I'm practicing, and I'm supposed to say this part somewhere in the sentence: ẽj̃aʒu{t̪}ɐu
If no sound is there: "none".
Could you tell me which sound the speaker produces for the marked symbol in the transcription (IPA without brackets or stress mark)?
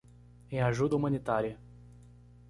d̪